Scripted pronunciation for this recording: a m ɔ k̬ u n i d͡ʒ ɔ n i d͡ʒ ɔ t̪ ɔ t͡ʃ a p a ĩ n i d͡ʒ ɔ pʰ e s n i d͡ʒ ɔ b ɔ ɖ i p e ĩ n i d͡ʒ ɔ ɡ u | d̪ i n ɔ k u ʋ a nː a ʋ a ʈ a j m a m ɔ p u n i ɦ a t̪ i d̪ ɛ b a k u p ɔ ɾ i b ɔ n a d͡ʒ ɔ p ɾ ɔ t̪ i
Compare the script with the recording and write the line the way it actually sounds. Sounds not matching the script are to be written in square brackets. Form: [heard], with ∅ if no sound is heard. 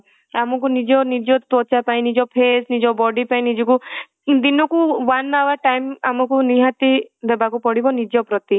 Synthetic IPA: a m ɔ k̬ u n i d͡ʒ ɔ n i d͡ʒ ɔ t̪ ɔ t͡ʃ a p a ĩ n i d͡ʒ ɔ pʰ e s n i d͡ʒ ɔ b ɔ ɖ i p [a] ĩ n i d͡ʒ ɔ [k] u | d̪ i n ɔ k u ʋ a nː a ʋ a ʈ a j m a m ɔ [k] u n i ɦ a t̪ i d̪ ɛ b a k u p ɔ [ɽ] i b ɔ n [i] d͡ʒ ɔ p ɾ ɔ t̪ i